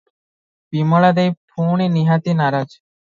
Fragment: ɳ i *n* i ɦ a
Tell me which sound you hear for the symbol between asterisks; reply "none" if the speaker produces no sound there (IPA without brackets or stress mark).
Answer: n